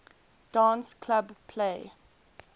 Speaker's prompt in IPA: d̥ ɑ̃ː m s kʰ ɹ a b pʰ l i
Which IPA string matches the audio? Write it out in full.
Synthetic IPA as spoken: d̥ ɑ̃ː n s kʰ l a b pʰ l e